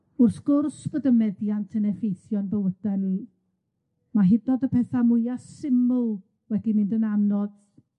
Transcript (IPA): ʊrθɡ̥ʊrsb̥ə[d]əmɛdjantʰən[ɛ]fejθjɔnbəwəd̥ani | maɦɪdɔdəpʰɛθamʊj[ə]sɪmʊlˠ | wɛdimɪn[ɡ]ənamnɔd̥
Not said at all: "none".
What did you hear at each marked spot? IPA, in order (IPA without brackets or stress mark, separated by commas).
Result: d, ɛ, a, d